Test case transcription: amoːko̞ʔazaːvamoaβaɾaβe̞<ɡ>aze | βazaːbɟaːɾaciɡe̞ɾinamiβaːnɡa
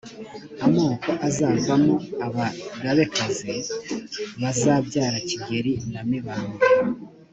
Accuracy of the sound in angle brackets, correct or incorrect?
incorrect